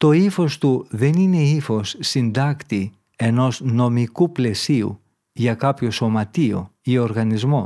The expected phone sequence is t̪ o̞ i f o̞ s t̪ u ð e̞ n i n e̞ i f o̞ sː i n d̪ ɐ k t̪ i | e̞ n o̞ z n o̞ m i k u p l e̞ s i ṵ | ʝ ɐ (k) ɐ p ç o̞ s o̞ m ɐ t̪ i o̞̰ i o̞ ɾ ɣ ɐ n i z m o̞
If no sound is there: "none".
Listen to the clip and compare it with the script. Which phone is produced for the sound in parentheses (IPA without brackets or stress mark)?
k